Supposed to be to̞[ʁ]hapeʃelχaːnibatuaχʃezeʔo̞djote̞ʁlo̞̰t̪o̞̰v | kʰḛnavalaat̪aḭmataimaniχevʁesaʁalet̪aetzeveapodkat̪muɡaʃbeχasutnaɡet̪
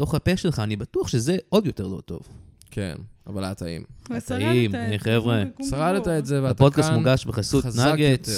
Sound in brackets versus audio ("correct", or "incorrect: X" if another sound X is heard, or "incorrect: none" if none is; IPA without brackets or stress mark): incorrect: χ